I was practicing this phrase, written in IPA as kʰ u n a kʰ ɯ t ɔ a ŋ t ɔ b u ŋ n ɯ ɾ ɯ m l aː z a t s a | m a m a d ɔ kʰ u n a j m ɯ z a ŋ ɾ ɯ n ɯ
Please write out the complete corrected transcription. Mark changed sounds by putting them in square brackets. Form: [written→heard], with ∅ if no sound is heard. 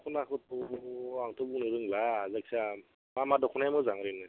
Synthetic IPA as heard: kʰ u n a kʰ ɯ t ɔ a ŋ t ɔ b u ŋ n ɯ ɾ ɯ [m→ŋ] l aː z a [t→k] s a | m a m a d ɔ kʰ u n a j m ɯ z a ŋ ɾ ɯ n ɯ